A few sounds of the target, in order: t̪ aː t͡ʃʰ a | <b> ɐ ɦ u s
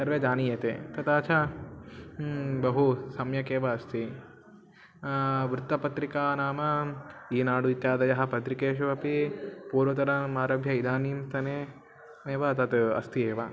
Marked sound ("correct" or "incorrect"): correct